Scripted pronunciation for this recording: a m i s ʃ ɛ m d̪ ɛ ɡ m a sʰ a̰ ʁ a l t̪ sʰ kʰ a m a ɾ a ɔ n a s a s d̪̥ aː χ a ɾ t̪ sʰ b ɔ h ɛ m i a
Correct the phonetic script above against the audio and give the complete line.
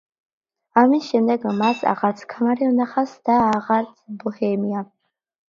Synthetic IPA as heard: a m i s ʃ ɛ m d̪ ɛ ɡ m a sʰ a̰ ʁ a ɾ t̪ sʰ kʰ a m a ɾ i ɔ n a χ a s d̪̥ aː ʁ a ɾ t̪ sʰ b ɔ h ɛ m i a